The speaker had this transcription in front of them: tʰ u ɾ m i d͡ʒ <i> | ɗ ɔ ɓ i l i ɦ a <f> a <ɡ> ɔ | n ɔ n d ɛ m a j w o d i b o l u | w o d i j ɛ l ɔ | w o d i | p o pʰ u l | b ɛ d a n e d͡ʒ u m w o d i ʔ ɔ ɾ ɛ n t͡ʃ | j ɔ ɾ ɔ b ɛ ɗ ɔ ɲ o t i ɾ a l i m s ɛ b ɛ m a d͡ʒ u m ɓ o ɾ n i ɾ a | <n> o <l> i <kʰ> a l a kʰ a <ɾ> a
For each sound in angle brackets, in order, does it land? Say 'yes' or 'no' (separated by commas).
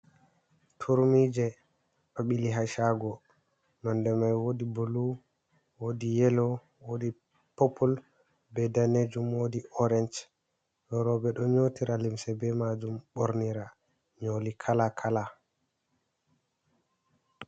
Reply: no, no, yes, no, yes, yes, no